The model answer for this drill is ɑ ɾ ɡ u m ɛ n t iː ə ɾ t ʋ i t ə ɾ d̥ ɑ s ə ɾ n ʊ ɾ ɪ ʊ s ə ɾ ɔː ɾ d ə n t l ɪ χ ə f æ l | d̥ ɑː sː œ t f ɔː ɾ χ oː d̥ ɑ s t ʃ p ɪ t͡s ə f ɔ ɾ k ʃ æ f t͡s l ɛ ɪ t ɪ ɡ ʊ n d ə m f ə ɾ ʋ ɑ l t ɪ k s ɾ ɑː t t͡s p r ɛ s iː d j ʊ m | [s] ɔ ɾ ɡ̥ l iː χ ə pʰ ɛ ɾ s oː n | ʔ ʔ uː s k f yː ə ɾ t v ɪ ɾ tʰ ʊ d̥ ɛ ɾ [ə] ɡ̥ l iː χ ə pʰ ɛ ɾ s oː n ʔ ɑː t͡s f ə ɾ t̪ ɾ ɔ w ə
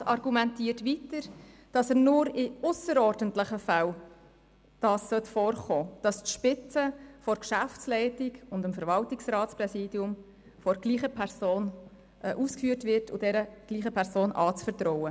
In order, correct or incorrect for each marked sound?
incorrect, correct

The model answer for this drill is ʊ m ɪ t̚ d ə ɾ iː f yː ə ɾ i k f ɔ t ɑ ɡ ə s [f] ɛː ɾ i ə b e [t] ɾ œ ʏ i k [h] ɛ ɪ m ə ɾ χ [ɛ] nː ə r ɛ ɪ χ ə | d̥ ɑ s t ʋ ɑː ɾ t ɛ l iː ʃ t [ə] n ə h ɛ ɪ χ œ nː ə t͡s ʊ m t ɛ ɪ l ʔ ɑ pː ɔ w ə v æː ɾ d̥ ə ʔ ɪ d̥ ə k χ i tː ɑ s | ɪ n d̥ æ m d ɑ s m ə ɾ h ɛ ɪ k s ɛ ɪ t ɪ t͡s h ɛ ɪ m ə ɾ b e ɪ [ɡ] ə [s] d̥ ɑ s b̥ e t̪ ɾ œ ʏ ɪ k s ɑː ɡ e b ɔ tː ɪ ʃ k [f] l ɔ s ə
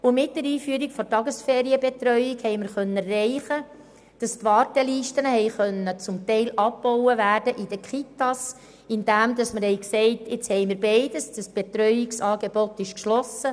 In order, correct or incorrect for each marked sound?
correct, correct, correct, incorrect, correct, incorrect, correct, incorrect

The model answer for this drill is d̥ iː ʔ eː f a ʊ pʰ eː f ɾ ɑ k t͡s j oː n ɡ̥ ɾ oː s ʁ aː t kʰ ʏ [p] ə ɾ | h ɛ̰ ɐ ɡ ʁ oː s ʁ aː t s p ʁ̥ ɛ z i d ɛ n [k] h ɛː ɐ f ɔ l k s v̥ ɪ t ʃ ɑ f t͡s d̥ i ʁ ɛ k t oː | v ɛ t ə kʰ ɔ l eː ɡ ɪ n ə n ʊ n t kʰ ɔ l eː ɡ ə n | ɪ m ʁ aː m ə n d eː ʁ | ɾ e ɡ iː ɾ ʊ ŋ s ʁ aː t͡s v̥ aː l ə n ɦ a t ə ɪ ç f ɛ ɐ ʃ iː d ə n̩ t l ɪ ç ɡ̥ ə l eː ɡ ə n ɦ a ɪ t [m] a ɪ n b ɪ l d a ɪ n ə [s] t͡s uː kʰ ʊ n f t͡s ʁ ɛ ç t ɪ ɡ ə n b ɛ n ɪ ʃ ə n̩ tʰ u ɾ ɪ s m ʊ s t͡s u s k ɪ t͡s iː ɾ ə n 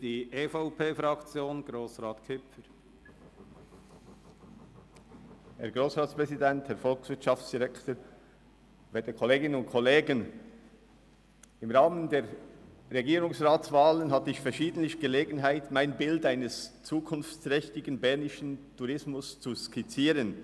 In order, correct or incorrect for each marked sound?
correct, incorrect, correct, correct

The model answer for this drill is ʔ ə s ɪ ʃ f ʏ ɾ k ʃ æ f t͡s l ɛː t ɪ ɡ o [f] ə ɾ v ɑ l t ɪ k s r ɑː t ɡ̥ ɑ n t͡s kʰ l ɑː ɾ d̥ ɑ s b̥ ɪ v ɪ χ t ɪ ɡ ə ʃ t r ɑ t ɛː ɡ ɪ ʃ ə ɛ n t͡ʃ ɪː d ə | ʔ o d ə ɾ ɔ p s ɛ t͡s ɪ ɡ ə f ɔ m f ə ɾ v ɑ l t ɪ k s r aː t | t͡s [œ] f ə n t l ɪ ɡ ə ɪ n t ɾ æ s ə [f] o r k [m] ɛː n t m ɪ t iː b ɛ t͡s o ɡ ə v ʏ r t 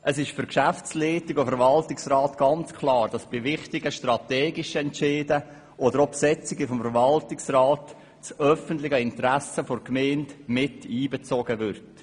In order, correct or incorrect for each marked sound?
correct, correct, correct, correct

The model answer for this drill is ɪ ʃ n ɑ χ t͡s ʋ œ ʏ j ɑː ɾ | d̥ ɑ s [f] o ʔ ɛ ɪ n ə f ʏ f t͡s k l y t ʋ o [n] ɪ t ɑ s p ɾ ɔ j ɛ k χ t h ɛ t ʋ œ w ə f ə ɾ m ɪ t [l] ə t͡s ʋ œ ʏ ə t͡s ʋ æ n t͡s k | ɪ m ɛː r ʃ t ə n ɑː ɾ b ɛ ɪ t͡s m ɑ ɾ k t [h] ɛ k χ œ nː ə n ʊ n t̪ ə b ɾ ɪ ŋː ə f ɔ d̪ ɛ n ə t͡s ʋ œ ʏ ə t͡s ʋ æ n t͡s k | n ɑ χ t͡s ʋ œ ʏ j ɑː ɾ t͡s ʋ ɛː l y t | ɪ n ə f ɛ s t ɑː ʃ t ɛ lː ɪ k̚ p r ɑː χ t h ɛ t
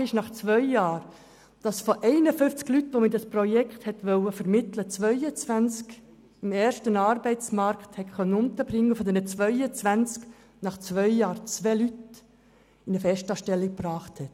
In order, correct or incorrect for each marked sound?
correct, incorrect, correct, correct

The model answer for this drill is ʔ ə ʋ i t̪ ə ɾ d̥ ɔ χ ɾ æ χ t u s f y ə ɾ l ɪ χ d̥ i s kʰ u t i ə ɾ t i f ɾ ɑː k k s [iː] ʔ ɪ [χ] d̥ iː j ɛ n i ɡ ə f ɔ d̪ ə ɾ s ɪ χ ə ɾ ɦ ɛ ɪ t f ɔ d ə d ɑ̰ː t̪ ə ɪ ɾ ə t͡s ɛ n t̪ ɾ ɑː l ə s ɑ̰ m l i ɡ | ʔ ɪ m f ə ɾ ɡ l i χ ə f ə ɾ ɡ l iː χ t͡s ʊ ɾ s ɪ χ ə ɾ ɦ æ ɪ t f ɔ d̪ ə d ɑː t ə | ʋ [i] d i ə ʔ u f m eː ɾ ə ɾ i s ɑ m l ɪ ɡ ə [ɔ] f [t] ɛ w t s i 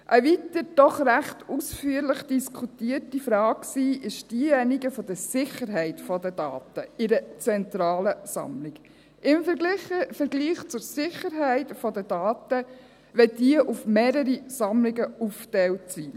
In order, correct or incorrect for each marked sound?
correct, incorrect, incorrect, incorrect, correct

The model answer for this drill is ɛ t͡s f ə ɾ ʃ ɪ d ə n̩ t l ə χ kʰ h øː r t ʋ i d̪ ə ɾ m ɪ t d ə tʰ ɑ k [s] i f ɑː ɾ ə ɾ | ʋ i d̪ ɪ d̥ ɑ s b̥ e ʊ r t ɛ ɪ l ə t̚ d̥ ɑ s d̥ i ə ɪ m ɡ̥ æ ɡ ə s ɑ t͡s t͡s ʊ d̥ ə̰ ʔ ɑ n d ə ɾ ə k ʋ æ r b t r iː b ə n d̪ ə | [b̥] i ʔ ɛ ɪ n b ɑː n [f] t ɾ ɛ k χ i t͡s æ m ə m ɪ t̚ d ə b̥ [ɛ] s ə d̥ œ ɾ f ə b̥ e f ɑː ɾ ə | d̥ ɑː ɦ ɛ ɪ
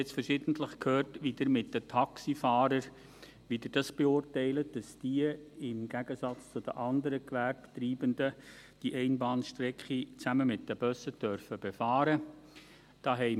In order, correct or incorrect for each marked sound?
correct, incorrect, incorrect, incorrect

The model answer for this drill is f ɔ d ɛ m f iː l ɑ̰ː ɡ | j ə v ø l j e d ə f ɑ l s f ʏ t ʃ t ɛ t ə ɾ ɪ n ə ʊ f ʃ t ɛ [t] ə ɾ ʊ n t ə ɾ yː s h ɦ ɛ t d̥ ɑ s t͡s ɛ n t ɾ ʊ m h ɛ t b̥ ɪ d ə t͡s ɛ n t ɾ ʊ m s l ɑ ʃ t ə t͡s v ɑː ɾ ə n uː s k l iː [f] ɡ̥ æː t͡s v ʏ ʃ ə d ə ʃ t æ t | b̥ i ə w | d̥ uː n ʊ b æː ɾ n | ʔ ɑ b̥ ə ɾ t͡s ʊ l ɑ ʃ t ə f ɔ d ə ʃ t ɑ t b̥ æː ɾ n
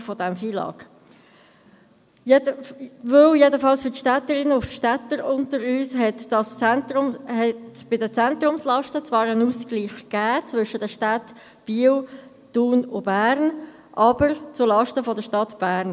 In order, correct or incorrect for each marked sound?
correct, incorrect

